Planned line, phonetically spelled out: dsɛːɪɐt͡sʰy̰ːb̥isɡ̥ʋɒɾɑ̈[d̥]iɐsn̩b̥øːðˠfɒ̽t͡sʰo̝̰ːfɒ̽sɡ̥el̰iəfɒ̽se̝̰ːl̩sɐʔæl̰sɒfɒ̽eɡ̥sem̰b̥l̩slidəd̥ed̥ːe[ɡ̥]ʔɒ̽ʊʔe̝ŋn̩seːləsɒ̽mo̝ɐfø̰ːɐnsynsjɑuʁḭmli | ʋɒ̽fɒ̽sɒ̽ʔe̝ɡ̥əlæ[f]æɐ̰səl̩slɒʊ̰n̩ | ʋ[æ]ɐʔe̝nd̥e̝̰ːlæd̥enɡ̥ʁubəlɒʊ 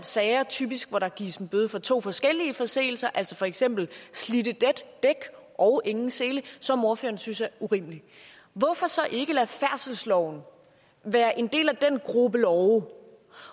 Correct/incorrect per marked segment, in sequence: incorrect: ɡ̥, correct, correct, incorrect: æː

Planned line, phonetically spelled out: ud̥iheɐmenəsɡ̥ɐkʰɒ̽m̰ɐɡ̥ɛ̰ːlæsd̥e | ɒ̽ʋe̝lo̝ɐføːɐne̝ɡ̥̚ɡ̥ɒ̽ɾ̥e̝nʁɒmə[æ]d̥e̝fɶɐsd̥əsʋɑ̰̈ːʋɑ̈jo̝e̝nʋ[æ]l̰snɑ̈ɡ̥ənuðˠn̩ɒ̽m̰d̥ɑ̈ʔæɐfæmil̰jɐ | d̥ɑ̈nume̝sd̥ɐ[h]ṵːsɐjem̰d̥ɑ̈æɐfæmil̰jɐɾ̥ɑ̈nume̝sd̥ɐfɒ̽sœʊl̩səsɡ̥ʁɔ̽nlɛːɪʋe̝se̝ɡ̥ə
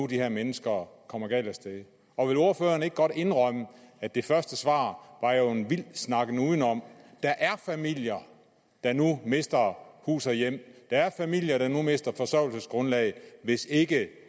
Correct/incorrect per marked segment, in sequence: correct, incorrect: i, correct

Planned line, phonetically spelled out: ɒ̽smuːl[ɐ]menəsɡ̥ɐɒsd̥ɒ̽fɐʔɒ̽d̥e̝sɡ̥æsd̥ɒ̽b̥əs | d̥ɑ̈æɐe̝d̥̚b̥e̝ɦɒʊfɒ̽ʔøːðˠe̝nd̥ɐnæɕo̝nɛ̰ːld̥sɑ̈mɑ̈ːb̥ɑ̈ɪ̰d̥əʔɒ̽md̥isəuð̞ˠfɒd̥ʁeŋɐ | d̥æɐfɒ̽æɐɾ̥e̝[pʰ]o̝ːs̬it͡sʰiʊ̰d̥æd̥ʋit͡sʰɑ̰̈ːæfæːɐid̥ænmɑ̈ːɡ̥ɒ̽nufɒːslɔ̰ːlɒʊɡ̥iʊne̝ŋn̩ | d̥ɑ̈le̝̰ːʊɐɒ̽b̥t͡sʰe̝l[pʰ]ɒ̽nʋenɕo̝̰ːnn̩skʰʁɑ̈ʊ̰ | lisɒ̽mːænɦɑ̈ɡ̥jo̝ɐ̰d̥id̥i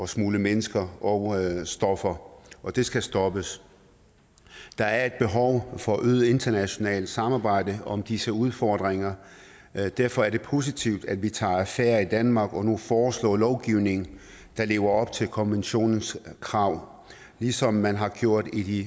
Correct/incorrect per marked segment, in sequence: incorrect: ə, correct, incorrect: kʰ

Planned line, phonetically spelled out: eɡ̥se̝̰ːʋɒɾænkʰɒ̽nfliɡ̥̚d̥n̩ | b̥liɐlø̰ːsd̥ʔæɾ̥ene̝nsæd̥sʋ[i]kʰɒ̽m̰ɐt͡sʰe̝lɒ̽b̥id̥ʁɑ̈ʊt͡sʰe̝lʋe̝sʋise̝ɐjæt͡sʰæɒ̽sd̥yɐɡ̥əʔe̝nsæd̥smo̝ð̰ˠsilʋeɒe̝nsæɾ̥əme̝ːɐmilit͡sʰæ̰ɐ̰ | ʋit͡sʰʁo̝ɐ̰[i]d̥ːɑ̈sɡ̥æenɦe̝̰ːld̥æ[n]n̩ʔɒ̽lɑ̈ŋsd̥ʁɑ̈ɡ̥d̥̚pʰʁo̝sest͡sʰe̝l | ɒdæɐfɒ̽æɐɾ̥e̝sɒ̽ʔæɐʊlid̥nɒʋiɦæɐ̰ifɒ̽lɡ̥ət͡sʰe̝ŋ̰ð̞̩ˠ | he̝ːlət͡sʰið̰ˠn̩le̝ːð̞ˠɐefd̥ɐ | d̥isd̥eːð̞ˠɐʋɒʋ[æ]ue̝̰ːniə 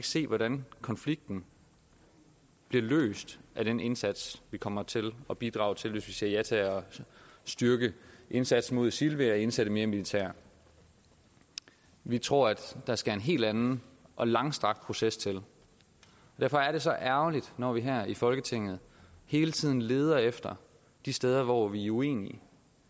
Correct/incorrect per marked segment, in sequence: correct, incorrect: æ, correct, incorrect: i

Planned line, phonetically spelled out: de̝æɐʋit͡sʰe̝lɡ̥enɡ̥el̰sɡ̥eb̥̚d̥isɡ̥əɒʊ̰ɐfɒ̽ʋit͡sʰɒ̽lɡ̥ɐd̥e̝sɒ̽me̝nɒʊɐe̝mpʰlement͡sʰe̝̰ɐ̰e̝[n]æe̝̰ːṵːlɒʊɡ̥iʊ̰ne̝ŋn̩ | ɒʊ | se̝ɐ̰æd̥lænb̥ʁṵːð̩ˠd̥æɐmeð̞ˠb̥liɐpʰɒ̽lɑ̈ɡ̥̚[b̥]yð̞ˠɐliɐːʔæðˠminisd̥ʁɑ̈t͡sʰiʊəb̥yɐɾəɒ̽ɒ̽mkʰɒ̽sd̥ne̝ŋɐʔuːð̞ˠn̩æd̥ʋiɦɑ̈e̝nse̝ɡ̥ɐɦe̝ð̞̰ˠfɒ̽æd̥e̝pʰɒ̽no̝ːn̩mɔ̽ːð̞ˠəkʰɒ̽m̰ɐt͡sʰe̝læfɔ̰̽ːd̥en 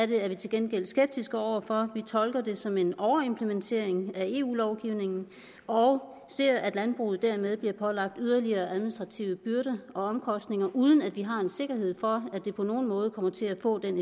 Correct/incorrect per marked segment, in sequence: incorrect: ŋ, incorrect: d̥

